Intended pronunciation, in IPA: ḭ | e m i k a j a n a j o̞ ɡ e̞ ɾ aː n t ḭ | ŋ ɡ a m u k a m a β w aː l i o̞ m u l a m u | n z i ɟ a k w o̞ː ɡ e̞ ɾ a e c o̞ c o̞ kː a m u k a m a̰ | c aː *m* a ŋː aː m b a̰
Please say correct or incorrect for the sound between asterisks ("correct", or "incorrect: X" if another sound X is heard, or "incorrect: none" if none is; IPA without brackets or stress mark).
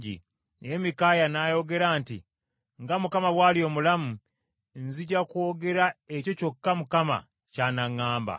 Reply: incorrect: n